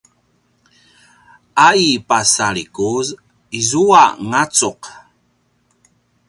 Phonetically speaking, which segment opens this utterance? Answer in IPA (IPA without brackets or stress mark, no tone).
a